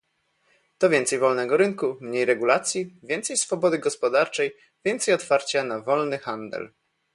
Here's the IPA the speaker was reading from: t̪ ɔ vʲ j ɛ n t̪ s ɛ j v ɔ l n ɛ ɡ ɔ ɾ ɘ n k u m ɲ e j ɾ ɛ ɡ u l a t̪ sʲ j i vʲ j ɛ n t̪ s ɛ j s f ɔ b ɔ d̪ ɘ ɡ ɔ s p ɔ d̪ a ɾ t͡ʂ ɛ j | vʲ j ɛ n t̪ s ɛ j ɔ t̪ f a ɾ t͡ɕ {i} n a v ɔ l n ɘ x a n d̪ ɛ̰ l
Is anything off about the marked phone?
yes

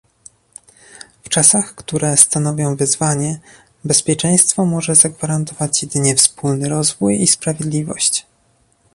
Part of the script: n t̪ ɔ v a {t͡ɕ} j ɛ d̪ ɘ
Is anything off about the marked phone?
no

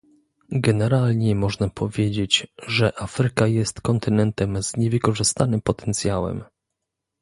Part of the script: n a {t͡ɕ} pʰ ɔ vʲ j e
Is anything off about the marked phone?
yes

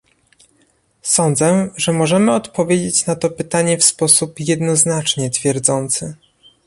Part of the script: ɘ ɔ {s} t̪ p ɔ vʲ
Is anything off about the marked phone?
yes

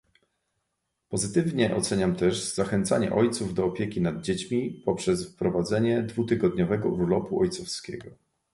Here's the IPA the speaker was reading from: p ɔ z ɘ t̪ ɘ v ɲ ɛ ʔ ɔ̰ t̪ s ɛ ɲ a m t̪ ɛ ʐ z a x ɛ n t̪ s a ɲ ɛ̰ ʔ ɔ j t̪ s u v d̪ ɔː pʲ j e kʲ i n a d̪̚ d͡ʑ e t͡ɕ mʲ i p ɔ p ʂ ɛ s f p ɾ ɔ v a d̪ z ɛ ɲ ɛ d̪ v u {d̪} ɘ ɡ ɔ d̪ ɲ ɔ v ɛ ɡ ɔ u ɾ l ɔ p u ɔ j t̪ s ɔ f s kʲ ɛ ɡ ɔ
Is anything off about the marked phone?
yes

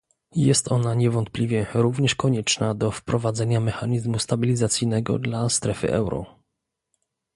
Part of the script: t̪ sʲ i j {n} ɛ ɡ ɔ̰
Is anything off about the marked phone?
no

